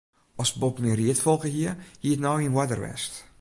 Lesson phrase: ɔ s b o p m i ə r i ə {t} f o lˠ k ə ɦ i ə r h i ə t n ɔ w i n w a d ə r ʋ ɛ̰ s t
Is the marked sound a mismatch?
no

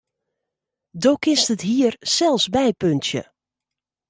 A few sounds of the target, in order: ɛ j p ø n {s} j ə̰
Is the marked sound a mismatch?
yes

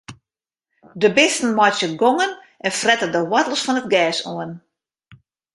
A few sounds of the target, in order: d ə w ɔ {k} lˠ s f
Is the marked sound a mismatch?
yes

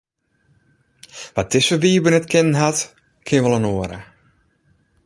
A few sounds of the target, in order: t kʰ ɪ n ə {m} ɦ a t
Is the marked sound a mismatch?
yes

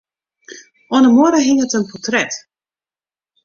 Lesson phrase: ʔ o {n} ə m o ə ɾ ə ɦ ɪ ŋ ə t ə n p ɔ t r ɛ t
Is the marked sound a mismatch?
no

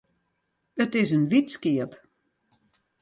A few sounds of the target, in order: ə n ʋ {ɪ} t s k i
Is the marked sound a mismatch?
yes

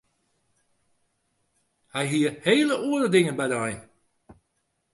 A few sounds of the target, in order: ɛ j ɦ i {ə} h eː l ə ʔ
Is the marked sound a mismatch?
no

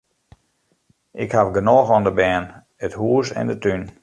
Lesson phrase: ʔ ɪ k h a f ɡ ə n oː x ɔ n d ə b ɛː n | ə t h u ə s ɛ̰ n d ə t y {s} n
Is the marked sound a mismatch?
yes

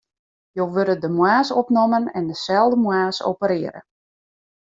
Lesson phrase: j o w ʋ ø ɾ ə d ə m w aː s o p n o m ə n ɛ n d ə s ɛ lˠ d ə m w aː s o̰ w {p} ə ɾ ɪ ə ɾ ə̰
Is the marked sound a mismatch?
no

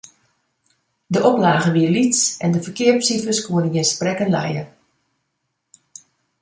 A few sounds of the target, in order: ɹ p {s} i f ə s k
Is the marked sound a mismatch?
no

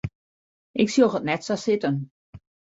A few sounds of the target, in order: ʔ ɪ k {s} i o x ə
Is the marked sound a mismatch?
no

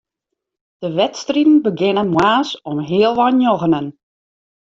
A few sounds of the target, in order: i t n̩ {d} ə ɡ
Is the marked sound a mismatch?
yes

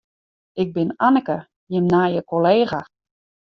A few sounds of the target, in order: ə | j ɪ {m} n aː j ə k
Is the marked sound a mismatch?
no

